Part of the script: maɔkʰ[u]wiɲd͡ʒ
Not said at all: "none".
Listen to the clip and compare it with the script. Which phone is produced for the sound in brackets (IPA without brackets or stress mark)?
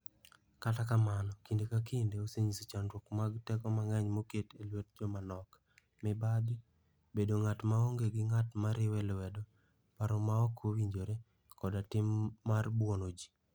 o